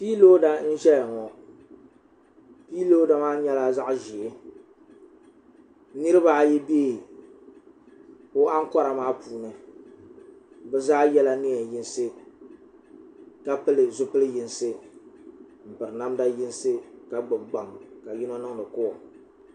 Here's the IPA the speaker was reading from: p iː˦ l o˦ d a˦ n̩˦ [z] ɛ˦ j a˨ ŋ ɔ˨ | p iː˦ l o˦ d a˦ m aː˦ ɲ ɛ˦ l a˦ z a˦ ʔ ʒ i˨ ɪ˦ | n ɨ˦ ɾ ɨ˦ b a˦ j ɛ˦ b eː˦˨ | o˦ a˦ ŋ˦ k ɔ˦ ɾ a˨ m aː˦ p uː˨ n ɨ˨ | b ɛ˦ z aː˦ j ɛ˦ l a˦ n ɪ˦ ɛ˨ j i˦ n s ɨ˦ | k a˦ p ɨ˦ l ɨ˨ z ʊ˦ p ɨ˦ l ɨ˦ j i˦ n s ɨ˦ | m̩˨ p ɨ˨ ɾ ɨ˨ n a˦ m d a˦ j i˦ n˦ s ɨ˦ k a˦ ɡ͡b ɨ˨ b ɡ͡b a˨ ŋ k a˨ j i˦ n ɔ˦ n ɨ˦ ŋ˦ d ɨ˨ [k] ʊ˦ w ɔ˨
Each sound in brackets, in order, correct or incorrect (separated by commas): incorrect, correct